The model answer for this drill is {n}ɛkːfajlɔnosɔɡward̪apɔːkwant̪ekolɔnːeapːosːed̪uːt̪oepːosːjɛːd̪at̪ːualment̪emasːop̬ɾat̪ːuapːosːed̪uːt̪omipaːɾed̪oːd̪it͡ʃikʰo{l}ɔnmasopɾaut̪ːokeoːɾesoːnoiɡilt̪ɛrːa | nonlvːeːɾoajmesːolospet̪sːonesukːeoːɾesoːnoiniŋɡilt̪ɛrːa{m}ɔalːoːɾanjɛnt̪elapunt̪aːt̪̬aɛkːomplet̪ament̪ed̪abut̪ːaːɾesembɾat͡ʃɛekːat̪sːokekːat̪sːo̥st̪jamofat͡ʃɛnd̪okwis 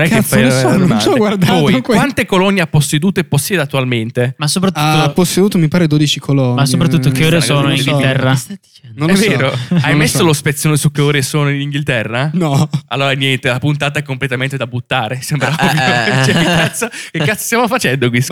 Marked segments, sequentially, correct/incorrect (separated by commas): correct, correct, incorrect